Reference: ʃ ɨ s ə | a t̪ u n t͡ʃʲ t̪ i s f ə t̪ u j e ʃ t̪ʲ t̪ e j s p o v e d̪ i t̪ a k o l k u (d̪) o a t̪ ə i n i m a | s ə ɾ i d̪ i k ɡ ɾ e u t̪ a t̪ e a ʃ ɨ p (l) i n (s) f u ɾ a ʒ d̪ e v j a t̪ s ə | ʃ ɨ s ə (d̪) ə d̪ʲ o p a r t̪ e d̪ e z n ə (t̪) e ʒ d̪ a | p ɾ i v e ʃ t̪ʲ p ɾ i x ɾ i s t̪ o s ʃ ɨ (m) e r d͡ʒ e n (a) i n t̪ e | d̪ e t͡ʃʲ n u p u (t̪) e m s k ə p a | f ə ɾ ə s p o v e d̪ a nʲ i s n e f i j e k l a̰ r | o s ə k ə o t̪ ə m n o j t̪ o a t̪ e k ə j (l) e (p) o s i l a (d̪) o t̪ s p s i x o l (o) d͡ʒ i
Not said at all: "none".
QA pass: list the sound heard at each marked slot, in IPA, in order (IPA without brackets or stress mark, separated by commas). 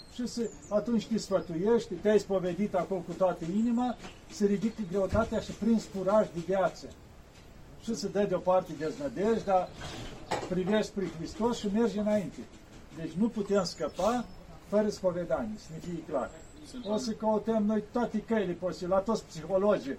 t̪, ɾ, s, d̪, d̪, m, a, t̪, l, p, t̪, o